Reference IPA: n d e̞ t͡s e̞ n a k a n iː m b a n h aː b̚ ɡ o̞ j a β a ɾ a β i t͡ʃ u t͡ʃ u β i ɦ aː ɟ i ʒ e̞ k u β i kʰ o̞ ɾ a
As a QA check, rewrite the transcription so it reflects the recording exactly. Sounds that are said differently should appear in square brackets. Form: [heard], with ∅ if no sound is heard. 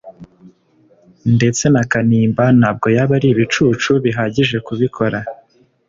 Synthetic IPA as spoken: n d e̞ t͡s e̞ n a k a n iː m b a n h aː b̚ ɡ o̞ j a β a ɾ [i] β i t͡ʃ u t͡ʃ u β i ɦ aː ɟ i ʒ e̞ k u β i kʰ o̞ ɾ a